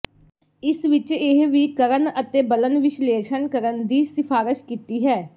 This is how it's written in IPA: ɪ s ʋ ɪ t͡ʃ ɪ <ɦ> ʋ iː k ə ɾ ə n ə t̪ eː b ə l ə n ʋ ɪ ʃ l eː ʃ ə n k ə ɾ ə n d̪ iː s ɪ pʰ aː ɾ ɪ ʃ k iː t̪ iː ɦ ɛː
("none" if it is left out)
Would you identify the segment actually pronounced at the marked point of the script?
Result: ɦ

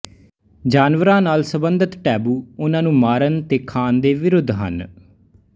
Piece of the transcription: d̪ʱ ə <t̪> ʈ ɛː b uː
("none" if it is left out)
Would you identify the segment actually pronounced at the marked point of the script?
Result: t̪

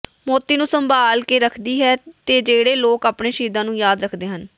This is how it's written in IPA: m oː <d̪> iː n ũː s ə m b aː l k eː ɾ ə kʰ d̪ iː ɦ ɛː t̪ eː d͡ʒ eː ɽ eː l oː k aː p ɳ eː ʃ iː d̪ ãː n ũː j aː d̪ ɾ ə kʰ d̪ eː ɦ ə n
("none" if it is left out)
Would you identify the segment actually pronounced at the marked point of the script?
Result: t̪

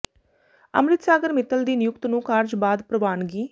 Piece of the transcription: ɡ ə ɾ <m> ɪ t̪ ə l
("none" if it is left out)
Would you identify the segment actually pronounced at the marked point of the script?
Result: m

